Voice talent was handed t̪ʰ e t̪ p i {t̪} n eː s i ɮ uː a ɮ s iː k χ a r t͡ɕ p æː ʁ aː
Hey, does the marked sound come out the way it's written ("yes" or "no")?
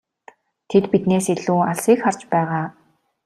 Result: yes